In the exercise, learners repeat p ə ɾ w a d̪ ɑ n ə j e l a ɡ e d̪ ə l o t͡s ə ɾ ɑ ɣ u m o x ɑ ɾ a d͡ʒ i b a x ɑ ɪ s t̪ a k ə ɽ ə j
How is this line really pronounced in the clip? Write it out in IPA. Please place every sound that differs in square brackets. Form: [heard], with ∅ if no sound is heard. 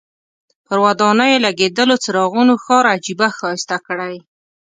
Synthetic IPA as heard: p ə ɾ w a d̪ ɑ n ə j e l a ɡ e d̪ ə l o t͡s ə ɾ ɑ ɣ u [n] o x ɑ ɾ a d͡ʒ i b a x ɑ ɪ s t̪ a k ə ɽ [a] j